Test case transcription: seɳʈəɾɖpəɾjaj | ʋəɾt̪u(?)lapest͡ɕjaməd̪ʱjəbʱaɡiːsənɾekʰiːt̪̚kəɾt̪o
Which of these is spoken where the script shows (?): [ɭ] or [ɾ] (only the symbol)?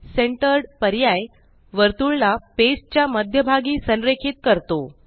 ɭ